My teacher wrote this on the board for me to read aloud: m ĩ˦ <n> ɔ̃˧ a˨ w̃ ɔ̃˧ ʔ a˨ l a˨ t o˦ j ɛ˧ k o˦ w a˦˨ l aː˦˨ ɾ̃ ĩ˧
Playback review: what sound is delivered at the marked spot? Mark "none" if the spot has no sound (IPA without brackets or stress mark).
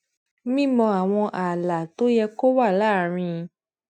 m